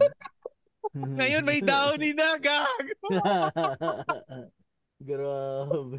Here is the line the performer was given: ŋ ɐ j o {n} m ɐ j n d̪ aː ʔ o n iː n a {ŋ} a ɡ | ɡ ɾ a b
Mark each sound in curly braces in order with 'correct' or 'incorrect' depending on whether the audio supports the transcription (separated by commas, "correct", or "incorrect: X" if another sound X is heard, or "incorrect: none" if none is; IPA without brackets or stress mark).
correct, incorrect: ɡ